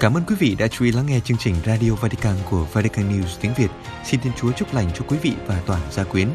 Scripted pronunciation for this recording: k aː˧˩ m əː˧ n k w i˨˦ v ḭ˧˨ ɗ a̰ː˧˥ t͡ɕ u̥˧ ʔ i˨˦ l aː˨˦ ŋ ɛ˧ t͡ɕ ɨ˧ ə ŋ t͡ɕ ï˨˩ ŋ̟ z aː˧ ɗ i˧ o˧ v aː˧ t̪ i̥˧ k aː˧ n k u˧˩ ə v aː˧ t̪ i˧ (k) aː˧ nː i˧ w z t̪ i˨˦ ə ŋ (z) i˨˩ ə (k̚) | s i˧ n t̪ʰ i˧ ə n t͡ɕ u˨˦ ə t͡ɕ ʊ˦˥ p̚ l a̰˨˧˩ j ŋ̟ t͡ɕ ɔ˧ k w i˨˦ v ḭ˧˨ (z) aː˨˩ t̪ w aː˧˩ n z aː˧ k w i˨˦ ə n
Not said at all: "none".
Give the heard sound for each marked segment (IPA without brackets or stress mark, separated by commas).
k, v, t̚, v